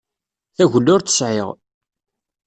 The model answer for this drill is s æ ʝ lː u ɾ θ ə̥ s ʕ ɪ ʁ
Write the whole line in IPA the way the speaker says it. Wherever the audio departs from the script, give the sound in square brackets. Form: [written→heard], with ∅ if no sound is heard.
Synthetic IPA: [s→θ] æ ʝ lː [u→ʊ] ɾ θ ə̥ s ʕ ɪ ʁ